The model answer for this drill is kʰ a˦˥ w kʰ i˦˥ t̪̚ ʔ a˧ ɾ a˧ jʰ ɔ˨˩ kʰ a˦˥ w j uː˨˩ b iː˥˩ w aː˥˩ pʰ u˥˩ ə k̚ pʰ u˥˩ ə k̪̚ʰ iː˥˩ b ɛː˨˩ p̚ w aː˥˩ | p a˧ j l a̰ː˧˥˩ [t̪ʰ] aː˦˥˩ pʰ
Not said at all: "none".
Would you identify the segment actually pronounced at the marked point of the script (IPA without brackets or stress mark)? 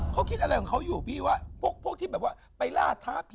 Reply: t̪ʰ